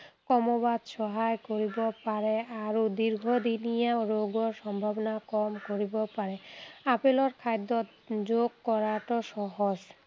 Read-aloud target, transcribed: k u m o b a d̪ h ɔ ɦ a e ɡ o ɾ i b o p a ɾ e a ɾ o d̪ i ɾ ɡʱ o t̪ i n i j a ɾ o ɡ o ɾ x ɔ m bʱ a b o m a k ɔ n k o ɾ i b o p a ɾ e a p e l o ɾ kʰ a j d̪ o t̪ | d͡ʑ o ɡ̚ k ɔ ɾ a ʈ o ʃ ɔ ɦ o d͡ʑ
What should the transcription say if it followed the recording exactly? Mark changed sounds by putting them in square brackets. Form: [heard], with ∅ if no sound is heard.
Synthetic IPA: k [ɔ] m o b a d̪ [ʃ] ɔ ɦ a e [k] o ɾ i b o p a ɾ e a ɾ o d̪ i ɾ ɡʱ o [d̪] i n i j a ɾ o ɡ o ɾ [ʃ] ɔ m bʱ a b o [n] a k ɔ [m] k o ɾ i b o p a ɾ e a p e l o ɾ kʰ a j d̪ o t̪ | d͡ʑ o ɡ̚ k ɔ ɾ a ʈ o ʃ ɔ ɦ o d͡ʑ